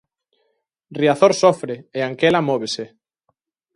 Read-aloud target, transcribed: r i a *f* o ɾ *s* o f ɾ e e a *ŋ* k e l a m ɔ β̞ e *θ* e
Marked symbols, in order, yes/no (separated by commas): no, yes, yes, no